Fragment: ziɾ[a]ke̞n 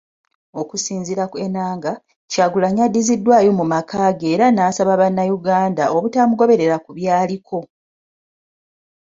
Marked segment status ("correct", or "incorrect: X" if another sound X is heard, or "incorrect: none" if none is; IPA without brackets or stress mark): correct